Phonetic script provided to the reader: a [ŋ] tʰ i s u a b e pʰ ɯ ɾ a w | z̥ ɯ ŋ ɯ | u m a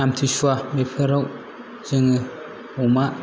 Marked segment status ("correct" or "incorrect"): incorrect